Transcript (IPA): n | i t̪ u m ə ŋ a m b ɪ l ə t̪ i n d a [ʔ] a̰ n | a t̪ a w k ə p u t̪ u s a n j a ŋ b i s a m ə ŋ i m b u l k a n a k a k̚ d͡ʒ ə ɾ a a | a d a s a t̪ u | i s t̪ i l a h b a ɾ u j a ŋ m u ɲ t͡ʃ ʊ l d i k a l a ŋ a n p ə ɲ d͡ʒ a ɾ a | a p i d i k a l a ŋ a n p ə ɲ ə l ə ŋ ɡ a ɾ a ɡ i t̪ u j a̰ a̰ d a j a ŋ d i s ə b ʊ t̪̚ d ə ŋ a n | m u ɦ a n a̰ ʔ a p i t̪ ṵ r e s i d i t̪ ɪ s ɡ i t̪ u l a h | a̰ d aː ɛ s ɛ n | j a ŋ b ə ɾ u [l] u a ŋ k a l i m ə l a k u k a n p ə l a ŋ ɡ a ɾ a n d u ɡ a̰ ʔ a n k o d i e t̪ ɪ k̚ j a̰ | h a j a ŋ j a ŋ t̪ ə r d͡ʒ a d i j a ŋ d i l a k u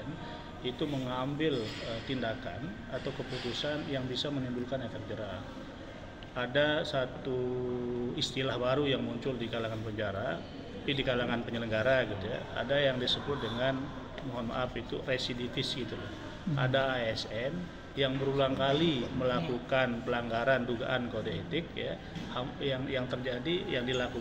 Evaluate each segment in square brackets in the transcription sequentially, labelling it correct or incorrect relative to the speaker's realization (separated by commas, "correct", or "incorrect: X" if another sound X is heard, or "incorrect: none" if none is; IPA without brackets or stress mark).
incorrect: k, correct